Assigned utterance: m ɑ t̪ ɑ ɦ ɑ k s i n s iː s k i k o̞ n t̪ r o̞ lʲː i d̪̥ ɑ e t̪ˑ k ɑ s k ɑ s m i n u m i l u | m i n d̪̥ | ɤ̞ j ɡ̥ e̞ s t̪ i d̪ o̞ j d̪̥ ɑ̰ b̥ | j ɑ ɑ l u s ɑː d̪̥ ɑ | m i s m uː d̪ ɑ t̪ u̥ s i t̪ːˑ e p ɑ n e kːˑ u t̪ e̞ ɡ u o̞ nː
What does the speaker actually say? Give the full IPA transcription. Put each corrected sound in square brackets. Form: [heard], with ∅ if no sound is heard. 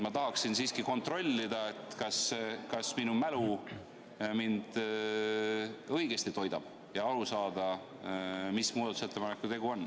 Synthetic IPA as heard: m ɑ t̪ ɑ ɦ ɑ k s i n s iː s k i k o̞ n t̪ r o̞ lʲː i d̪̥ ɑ e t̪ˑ k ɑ s k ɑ s m i n u m [æ] l u | m i n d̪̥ | ɤ̞ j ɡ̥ e̞ s t̪ i [t̪] o̞ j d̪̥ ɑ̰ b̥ | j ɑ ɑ l u s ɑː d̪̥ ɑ | m i s m uː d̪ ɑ t̪ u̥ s [e] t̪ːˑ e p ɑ n e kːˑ u t̪ e̞ ɡ u o̞ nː